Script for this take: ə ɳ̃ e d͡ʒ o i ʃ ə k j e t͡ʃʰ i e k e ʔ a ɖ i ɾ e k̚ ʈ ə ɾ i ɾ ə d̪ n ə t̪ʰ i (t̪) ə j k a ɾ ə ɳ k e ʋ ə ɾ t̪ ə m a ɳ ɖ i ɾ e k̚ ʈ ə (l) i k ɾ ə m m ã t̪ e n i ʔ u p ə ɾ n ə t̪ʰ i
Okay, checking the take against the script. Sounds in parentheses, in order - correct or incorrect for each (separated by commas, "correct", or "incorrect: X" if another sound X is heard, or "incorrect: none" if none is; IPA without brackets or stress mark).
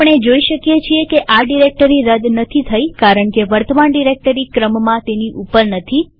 incorrect: t̪ʰ, incorrect: ɾ